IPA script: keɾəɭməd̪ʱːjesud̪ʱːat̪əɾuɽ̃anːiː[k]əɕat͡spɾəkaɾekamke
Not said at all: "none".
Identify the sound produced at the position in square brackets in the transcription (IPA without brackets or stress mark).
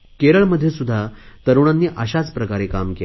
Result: ʔ